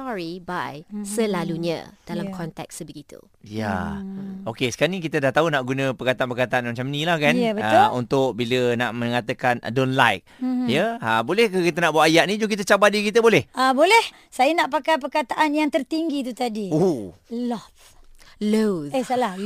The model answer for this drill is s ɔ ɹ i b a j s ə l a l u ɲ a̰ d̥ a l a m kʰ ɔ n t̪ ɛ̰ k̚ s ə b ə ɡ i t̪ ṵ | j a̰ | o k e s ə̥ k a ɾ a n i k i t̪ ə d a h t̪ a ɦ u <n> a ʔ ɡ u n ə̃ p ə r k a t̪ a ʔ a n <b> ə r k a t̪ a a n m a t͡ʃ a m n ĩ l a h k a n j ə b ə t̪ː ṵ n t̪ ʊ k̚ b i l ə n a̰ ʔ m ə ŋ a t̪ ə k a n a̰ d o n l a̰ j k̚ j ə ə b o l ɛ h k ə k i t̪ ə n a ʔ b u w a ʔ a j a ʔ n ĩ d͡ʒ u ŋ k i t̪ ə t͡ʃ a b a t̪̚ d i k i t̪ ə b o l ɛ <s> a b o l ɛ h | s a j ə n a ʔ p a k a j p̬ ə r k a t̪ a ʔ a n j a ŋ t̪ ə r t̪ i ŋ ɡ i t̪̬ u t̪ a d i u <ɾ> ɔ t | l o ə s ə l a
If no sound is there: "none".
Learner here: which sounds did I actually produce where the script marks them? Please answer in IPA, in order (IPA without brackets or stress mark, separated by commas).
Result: n, p, h, l